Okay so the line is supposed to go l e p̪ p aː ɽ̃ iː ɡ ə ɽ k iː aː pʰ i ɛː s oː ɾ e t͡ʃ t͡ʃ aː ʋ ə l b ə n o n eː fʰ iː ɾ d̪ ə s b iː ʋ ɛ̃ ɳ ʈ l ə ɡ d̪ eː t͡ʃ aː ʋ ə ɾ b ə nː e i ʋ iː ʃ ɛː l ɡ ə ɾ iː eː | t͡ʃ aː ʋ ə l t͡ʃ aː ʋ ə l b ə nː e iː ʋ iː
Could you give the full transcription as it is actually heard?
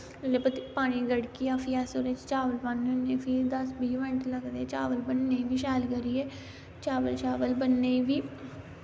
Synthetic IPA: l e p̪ p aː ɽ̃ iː ɡ ə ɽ k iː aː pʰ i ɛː s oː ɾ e t͡ʃ t͡ʃ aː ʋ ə l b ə n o n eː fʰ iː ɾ d̪ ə s b iː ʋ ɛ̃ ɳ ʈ l ə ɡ d̪ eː t͡ʃ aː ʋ ə l b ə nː e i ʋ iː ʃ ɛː l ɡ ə ɾ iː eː | t͡ʃ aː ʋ ə l t͡ʃ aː ʋ ə l b ə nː e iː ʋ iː